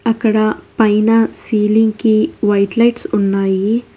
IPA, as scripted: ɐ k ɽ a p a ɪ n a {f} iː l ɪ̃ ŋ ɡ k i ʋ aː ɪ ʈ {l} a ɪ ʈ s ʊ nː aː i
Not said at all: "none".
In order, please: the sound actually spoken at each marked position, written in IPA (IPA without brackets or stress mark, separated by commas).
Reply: s, l